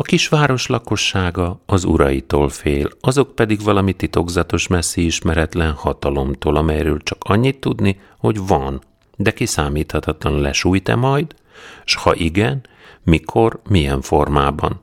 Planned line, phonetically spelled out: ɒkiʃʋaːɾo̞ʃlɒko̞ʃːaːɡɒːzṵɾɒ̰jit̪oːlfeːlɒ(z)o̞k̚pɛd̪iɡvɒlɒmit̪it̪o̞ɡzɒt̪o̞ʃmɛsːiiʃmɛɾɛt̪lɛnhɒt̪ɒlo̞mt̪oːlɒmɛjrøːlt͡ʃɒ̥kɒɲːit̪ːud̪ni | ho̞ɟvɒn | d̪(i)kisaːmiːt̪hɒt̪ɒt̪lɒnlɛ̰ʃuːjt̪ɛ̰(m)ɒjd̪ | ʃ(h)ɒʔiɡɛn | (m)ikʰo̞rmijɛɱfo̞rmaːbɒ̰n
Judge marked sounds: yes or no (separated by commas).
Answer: yes, no, yes, yes, yes